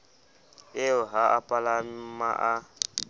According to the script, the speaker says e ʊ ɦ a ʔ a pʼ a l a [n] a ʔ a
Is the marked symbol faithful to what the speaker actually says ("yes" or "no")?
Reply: no